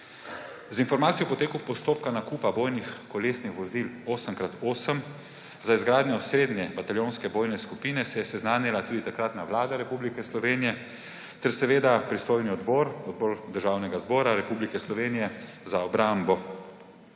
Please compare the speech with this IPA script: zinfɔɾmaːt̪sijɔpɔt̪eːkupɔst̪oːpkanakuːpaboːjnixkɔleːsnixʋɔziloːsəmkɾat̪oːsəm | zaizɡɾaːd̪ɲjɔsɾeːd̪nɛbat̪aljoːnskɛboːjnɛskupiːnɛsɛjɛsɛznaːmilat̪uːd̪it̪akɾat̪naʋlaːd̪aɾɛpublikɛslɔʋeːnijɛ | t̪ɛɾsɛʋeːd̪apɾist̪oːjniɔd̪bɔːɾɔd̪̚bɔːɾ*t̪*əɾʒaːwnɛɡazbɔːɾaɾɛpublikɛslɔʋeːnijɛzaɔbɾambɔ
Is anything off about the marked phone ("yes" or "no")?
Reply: yes